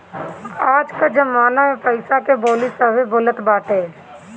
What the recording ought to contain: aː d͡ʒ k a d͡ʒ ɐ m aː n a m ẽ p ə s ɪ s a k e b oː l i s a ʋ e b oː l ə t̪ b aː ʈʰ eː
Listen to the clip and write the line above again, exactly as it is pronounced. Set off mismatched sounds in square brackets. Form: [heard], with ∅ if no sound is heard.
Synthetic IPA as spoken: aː d͡ʒ k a d͡ʒ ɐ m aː n a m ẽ p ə [∅] ɪ s a k e b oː l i s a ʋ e b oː l ə t̪ b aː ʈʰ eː